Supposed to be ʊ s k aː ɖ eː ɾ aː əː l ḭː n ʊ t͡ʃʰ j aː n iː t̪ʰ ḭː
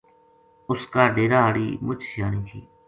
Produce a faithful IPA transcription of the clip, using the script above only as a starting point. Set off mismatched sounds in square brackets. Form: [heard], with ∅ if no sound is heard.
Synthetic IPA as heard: ʊ s k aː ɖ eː ɾ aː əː [ɽ] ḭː [m] ʊ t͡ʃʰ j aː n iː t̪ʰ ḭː

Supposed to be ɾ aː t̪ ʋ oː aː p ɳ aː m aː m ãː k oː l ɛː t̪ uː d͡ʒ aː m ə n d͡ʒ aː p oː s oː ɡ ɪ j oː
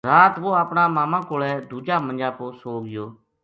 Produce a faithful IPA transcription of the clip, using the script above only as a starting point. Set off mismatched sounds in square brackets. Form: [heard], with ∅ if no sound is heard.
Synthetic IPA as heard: ɾ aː t̪ ʋ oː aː p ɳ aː m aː m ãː k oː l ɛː [d̪] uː d͡ʒ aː m ə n d͡ʒ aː p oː s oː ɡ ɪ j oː

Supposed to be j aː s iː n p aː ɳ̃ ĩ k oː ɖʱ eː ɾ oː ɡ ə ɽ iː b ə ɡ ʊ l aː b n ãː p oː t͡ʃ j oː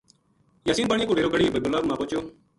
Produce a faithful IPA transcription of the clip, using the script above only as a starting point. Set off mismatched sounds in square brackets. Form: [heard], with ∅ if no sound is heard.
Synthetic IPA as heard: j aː s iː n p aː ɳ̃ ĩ k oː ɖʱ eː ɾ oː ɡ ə ɽ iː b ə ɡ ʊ l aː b [m] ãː p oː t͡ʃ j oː

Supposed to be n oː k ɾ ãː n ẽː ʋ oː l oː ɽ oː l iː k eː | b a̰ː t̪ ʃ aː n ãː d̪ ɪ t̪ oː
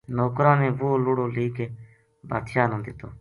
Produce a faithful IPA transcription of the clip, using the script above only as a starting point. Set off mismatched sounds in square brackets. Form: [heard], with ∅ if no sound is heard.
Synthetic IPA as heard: n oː k ɾ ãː n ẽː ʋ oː l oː ɽ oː l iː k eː | b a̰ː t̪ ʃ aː n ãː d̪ ɪ t̪ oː

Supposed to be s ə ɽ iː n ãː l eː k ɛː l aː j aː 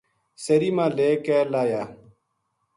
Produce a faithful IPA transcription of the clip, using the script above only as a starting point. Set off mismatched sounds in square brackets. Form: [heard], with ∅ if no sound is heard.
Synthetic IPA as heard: s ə [ɾ] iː [m] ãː l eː k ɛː l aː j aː

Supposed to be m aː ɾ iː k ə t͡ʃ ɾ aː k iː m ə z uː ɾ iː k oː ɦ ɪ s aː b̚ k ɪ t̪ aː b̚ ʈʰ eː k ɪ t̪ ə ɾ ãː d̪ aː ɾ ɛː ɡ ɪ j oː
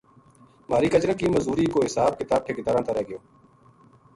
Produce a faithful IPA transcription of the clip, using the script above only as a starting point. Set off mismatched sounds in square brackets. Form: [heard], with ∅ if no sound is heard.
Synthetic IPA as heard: m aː ɾ iː k ə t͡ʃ ɾ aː k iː m ə z uː ɾ iː k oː ɦ ɪ s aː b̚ k ɪ t̪ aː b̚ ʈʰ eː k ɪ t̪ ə ɾ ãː [t̪] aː ɾ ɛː ɡ ɪ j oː

